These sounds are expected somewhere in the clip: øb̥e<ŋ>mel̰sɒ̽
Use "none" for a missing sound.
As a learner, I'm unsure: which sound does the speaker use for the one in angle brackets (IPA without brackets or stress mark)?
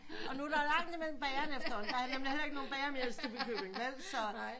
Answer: ŋ